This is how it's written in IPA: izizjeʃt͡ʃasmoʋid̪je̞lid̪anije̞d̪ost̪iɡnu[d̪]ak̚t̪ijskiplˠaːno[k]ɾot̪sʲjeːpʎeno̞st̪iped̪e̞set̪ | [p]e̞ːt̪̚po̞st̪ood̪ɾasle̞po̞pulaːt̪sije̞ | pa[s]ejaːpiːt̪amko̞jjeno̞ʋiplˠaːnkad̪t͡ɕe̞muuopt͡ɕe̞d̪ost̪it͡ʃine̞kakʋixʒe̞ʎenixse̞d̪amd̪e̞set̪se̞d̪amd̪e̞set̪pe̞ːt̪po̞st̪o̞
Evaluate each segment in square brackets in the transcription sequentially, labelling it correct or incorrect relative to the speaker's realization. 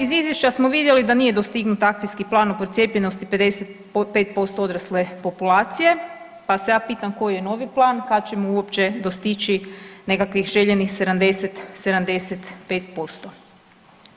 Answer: incorrect: t̪, incorrect: p, correct, correct

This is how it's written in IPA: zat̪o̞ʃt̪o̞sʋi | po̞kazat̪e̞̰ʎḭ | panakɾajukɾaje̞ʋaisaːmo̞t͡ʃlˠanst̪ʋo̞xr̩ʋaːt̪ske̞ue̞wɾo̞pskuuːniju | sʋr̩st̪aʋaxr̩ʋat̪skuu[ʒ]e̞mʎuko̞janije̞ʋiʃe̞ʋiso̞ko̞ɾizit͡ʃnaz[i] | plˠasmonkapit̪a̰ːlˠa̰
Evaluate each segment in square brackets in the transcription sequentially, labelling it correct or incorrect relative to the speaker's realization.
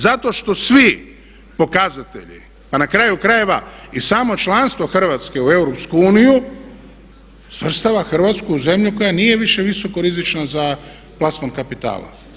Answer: incorrect: z, incorrect: a

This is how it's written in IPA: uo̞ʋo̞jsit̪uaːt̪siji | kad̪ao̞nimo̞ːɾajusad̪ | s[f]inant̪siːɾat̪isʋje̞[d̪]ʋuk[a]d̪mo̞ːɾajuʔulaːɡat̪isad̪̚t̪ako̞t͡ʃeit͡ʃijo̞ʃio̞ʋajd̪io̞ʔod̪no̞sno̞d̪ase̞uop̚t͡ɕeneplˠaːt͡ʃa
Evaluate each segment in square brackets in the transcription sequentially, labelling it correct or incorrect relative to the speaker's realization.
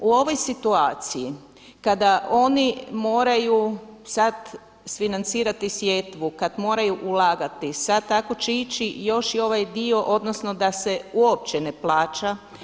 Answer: correct, incorrect: t̪, correct

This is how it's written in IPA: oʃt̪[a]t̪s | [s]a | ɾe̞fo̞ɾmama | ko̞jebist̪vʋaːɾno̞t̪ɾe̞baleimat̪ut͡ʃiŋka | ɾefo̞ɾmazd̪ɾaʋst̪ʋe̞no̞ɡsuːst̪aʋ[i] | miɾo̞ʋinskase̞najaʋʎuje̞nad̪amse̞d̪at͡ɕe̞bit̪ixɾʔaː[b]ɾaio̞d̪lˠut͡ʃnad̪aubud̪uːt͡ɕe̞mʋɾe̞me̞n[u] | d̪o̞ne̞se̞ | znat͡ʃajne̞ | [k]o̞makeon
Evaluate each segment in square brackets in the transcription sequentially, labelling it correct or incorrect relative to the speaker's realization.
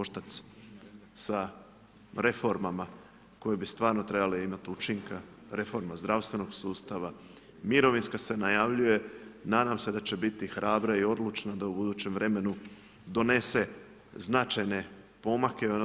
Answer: correct, correct, incorrect: a, correct, correct, incorrect: p

